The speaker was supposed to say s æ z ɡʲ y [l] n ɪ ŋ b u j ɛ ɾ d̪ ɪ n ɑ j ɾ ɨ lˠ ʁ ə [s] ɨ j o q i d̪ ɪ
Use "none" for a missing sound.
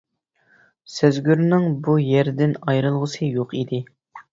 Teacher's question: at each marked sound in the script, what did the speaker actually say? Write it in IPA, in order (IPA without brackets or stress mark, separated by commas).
ɾ, s